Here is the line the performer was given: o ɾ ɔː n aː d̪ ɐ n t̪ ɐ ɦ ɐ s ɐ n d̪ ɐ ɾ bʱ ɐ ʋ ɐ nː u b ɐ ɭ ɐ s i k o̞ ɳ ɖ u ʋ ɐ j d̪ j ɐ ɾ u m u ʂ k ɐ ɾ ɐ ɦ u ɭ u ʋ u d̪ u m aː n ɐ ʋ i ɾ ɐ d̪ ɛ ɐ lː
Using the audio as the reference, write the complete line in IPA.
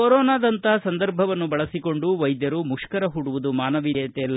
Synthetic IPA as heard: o ɾ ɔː n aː d̪ ɐ n t̪ ɐ ɦ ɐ s ɐ n d̪ ɐ ɾ bʱ ɐ ʋ ɐ nː u b ɐ ɭ ɐ s i k o̞ ɳ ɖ u ʋ ɐ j d̪ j ɐ ɾ u m u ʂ k ɐ ɾ ɐ ɦ u ɽ u ʋ u d̪ u m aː n ɐ ʋ i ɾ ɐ t̪ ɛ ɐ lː